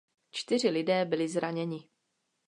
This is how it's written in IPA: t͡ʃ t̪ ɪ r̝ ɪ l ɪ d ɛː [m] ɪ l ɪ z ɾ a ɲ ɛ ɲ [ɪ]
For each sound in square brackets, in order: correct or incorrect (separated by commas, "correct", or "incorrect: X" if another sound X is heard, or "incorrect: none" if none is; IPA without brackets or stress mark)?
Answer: incorrect: b, correct